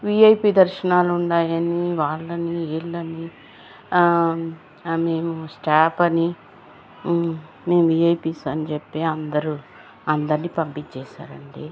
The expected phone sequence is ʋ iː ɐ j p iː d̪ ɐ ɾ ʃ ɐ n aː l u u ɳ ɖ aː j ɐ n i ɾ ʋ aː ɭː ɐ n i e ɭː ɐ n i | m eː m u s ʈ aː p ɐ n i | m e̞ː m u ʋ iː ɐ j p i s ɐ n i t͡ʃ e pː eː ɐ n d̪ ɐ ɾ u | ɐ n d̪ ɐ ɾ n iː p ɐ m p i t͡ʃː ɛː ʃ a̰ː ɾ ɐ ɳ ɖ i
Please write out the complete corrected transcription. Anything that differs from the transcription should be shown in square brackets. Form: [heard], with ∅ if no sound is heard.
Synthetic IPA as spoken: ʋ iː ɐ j p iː d̪ ɐ ɾ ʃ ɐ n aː l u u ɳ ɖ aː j ɐ n i [∅] ʋ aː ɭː ɐ n i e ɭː ɐ n i | m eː m u s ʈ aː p ɐ n i | m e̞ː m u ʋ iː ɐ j p i s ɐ n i t͡ʃ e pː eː ɐ n d̪ ɐ ɾ u | ɐ n d̪ ɐ ɾ n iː p ɐ m p i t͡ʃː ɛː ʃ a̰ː ɾ ɐ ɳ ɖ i